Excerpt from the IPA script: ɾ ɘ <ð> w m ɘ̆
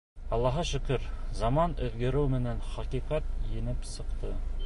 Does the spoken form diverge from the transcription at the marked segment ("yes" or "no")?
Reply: yes